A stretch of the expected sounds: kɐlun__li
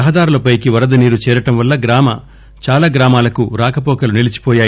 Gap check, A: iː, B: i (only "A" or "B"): B